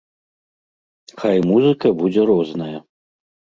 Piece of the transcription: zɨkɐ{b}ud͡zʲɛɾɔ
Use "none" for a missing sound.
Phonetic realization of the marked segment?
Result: b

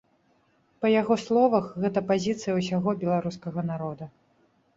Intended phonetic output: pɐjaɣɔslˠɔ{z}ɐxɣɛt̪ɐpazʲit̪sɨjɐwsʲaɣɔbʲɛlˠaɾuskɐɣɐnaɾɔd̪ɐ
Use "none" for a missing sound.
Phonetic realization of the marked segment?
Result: v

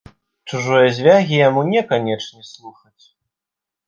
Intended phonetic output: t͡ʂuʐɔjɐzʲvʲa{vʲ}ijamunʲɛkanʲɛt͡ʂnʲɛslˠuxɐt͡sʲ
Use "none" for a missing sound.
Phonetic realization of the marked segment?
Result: ɣʲ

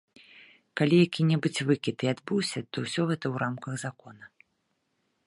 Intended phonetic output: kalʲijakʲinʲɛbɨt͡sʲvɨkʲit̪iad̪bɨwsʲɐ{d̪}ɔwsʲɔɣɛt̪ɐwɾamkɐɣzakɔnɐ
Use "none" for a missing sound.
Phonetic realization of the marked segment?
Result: t̪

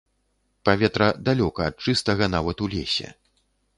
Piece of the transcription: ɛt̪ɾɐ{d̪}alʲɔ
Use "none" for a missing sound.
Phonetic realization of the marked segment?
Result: d̪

